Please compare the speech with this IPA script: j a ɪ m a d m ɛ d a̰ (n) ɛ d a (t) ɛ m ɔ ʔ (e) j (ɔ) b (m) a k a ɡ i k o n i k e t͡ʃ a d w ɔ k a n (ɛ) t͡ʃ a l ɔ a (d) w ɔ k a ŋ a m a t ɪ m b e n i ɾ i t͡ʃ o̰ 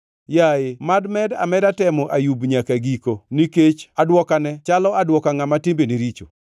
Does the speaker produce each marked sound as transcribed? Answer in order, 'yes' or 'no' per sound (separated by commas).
no, yes, no, no, no, yes, yes